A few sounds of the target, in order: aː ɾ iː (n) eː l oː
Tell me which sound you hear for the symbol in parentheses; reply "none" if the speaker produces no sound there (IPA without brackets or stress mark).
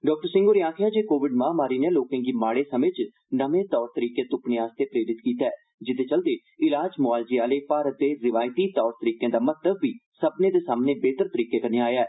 n